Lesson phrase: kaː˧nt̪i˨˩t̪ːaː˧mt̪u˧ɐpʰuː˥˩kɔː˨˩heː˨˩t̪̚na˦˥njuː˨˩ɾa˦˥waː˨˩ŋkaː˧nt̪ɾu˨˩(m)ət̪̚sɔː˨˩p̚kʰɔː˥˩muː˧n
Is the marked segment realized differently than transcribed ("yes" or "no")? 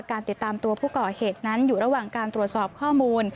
yes